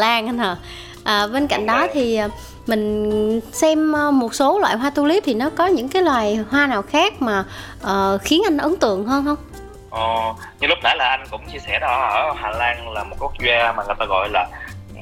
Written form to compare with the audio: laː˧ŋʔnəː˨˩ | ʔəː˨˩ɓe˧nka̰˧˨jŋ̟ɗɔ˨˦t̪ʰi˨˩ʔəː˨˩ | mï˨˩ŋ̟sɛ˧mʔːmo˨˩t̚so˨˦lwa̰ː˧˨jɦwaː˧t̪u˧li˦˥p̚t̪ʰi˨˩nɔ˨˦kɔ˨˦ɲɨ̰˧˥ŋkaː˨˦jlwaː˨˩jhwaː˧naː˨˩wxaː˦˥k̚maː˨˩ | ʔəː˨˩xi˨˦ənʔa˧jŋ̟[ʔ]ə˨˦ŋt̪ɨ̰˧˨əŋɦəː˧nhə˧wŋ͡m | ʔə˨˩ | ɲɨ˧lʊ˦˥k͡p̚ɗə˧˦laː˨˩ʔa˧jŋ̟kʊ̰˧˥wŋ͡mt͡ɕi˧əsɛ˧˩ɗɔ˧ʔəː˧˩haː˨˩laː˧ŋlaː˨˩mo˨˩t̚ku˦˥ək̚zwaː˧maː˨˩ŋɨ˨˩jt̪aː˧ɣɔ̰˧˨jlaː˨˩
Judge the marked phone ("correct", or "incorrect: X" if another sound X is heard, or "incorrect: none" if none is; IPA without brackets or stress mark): correct